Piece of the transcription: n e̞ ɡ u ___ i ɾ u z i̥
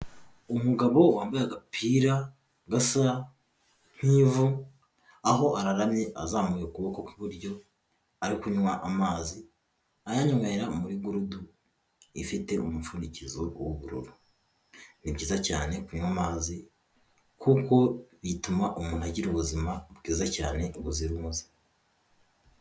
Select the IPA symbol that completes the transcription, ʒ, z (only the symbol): z